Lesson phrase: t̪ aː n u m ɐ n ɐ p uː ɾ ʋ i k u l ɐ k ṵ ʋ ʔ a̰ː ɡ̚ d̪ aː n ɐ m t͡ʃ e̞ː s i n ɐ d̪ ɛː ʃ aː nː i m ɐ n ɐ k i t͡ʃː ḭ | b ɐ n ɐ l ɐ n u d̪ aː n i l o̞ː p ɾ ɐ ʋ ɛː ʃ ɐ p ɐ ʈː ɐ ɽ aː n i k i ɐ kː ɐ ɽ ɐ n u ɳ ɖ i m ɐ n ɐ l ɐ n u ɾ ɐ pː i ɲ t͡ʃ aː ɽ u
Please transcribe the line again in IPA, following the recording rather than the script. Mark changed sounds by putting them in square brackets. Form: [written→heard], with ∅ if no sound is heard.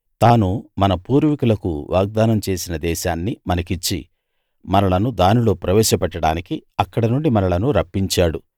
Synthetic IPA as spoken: t̪ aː n u m ɐ n ɐ p uː ɾ ʋ i k u l ɐ k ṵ ʋ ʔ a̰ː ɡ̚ d̪ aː n ɐ m t͡ʃ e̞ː s i n ɐ d̪ ɛː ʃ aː nː i m ɐ n ɐ k i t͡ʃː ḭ | [b→m] ɐ n ɐ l ɐ n u d̪ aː n i l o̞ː p ɾ ɐ ʋ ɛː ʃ ɐ p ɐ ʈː ɐ ɽ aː n i k i ɐ kː ɐ ɽ ɐ n u ɳ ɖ i m ɐ n ɐ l ɐ n u ɾ ɐ pː i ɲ t͡ʃ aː ɽ u